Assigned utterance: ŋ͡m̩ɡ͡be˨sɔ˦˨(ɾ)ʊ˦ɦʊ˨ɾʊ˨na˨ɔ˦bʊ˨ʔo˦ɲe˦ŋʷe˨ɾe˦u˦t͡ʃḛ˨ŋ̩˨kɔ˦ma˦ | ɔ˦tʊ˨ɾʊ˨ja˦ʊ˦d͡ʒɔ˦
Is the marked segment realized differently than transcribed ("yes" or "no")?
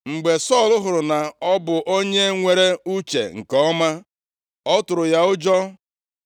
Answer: yes